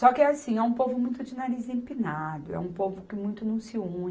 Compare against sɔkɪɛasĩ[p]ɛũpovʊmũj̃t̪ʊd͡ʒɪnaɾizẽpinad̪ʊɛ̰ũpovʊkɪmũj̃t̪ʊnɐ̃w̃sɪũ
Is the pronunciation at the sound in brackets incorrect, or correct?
incorrect: none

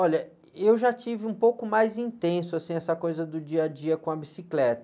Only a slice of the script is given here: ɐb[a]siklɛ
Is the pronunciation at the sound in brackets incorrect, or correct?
incorrect: i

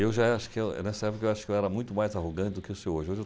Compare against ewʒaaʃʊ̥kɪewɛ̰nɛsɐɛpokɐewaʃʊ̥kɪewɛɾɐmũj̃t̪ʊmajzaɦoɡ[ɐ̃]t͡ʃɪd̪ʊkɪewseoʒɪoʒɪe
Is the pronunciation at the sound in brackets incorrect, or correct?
correct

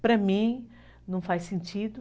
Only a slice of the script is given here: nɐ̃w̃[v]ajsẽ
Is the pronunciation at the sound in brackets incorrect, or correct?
incorrect: f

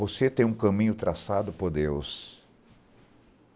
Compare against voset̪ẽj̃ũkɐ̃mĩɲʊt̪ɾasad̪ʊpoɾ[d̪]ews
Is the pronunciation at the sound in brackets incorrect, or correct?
correct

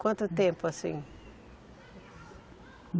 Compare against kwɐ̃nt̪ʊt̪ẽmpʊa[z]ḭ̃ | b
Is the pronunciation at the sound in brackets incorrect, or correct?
incorrect: s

